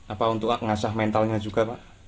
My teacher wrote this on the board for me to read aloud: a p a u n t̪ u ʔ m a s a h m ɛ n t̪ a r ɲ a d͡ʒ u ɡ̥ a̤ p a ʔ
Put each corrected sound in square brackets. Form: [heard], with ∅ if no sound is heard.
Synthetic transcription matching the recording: a p a u n t̪ [ʊ] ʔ [ŋ] a s a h m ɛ n t̪ a [l] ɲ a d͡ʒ u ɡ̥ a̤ p a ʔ